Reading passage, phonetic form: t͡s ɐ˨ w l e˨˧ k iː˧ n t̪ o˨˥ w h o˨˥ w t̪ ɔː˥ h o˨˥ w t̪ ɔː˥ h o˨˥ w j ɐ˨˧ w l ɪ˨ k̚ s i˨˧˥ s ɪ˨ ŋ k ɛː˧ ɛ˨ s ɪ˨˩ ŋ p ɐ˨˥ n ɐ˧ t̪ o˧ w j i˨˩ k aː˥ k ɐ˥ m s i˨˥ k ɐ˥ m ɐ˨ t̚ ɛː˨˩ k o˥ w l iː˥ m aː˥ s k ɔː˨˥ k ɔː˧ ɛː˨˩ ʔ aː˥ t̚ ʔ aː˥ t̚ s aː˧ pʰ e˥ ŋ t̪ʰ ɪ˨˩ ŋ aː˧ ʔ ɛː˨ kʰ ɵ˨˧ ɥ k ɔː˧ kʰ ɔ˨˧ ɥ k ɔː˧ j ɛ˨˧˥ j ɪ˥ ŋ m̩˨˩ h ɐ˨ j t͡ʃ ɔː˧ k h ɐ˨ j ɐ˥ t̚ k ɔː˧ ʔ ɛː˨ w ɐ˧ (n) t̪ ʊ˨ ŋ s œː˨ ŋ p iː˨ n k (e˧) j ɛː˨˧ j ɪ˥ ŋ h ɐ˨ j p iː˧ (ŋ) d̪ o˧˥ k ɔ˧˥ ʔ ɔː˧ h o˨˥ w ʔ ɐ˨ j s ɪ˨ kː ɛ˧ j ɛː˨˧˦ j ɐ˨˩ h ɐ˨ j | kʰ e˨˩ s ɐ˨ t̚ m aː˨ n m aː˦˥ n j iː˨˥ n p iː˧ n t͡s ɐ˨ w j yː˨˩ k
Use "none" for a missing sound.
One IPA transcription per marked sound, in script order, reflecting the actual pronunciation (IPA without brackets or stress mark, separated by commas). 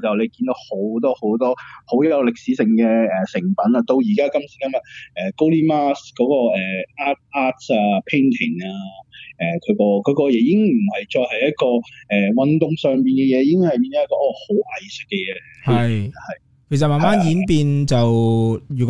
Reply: n, ɛ˧, n